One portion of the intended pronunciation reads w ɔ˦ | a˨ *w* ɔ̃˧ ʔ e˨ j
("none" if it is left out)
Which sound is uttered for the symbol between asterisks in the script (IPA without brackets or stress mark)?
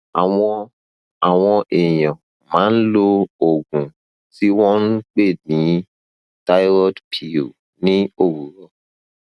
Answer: w